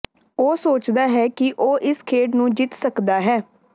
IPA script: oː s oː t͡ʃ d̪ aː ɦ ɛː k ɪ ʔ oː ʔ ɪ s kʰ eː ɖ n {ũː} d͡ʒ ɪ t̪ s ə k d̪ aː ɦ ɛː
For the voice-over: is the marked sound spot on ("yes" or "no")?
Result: yes